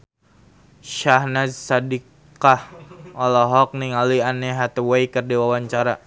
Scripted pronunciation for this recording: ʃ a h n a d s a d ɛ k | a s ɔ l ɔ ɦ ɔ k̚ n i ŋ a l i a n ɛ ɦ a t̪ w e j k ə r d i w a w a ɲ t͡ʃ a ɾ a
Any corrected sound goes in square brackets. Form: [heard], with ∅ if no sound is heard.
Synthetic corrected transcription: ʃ a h n a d s a d [i] k | a [h] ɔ l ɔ ɦ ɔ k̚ n i ŋ a l i a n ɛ ɦ a t̪ w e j k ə r d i w a w a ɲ t͡ʃ a ɾ a